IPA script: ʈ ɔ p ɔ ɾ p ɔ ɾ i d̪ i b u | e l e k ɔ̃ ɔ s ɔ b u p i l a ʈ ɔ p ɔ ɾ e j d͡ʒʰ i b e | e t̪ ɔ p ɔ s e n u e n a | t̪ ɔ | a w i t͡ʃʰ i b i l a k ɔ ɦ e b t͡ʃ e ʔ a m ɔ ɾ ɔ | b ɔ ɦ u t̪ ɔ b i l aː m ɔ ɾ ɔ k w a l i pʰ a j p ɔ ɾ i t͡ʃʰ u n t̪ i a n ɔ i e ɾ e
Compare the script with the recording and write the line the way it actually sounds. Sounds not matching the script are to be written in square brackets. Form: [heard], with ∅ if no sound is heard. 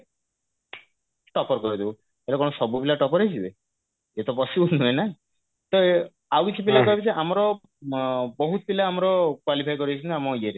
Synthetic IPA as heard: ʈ ɔ p ɔ ɾ [k] ɔ ɾ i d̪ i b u | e l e k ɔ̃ ɔ s ɔ b u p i l a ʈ ɔ p ɔ ɾ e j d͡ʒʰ i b e | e t̪ ɔ p ɔ s [i] n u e n a | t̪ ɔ | a w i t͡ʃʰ i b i l a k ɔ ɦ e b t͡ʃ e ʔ a m ɔ ɾ ɔ | b ɔ ɦ u t̪ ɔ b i l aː m ɔ ɾ ɔ k w a l i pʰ a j [k] ɔ ɾ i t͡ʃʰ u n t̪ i a [m] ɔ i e ɾ e